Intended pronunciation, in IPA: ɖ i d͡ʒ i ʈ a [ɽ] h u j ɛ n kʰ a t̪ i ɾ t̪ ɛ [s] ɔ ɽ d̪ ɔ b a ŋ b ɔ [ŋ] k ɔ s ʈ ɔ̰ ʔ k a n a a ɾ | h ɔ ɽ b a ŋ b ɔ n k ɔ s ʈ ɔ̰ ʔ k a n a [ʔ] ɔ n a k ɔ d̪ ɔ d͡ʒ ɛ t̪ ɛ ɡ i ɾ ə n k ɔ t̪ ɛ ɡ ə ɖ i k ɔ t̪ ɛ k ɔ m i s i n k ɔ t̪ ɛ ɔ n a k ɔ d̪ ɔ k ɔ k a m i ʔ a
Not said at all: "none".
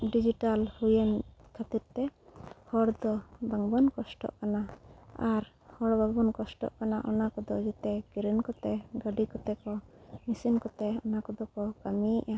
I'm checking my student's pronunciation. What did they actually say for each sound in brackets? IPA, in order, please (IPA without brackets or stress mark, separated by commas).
l, h, n, ʔ